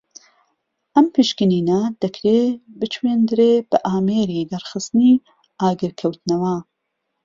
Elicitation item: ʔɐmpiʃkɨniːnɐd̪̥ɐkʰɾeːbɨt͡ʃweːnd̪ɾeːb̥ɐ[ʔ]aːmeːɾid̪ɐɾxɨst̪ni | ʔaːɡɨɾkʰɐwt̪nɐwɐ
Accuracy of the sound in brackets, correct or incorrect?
correct